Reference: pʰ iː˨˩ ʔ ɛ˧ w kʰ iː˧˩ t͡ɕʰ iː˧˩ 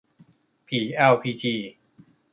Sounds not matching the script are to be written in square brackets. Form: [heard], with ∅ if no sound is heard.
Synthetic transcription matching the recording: pʰ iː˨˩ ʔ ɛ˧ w [pʰ] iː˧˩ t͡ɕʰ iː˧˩